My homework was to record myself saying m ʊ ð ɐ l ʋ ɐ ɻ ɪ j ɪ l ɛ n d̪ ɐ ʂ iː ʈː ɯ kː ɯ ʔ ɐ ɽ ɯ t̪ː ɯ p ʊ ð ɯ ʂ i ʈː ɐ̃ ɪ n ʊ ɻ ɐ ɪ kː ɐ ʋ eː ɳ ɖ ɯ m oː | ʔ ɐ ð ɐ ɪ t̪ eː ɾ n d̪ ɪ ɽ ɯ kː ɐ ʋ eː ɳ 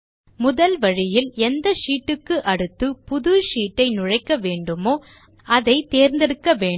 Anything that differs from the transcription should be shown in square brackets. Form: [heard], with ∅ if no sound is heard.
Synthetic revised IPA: m ʊ ð ɐ l ʋ ɐ ɻ ɪ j ɪ l ɛ n d̪ ɐ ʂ iː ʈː ɯ kː ɯ ʔ ɐ ɽ ɯ t̪ː ɯ p ʊ ð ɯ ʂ [iː] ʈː [ɐ] ɪ n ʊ ɻ ɐ ɪ kː ɐ ʋ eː ɳ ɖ ɯ m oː | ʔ ɐ ð ɐ ɪ t̪ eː ɾ n d̪ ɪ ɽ ɯ kː ɐ ʋ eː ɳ